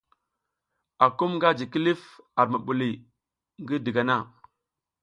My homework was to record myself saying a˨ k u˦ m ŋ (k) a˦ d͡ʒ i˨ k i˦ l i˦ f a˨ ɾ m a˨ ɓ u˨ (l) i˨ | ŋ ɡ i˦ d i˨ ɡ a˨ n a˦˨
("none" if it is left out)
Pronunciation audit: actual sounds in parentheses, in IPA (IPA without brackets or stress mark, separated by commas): ɡ, l